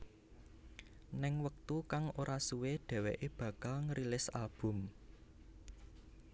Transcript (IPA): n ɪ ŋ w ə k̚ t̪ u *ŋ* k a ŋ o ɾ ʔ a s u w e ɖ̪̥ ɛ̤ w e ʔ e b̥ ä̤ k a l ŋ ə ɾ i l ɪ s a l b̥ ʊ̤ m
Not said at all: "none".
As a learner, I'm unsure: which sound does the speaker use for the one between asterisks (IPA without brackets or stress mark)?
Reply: none